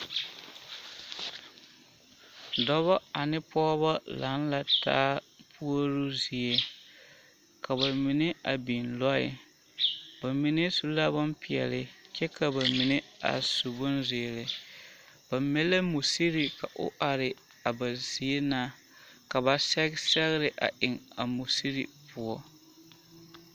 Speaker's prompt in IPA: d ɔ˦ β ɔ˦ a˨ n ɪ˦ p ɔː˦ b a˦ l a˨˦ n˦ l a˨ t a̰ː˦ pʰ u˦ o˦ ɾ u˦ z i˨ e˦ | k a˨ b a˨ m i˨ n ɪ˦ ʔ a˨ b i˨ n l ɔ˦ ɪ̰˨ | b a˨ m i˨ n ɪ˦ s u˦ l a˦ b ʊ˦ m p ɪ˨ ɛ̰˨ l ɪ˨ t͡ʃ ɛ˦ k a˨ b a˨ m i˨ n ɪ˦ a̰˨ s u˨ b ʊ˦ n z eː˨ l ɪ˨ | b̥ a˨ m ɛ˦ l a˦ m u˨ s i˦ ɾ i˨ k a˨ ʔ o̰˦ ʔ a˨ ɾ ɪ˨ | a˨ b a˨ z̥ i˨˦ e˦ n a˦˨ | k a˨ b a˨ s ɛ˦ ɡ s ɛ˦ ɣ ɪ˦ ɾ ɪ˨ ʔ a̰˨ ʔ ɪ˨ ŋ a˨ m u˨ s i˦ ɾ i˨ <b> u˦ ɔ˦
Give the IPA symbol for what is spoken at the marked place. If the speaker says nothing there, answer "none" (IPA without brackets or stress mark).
p